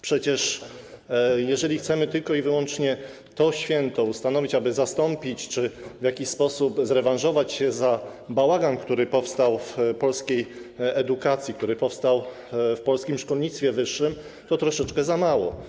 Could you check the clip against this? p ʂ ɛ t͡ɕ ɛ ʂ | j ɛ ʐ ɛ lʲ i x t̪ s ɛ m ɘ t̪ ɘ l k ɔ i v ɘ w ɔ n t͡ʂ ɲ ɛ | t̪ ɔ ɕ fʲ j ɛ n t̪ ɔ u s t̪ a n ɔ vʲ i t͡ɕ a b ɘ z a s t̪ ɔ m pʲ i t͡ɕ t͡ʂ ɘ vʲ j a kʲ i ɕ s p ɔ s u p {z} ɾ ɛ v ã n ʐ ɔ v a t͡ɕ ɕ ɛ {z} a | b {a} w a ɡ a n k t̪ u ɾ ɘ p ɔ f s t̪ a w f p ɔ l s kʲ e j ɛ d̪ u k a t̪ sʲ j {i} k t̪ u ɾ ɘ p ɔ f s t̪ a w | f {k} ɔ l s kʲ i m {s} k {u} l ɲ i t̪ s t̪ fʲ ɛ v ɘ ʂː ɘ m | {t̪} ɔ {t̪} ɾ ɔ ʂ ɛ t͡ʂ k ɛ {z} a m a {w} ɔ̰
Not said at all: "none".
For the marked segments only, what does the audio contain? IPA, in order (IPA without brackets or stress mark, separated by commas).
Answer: z, z, a, i, p, ʂ, ɔ, t̪, t̪, z, w